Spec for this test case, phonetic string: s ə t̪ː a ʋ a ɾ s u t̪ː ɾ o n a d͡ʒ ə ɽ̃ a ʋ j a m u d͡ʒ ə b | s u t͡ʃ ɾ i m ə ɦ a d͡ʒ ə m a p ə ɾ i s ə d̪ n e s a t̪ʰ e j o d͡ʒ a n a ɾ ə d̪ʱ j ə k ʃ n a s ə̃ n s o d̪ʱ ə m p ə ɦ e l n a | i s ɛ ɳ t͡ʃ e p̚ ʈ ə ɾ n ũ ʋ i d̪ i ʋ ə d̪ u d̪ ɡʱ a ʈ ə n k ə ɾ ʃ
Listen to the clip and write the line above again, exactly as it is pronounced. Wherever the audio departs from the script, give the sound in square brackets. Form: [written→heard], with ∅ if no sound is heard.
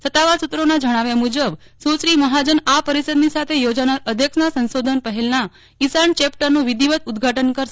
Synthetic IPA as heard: s ə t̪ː a ʋ a ɾ s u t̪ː ɾ o n a d͡ʒ ə ɽ̃ a ʋ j a m u d͡ʒ ə b | s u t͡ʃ ɾ i m ə ɦ a d͡ʒ ə [m→n] a p ə ɾ i s ə d̪ n [e→i] s a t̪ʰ e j o d͡ʒ a n a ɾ ə d̪ʱ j ə k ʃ n a s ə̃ n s o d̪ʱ ə [m→n] p ə ɦ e l n a | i s [ɛ→a] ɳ t͡ʃ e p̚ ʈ ə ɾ n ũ ʋ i d̪ i ʋ ə [d̪→t̪] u d̪ ɡʱ a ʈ ə n k ə ɾ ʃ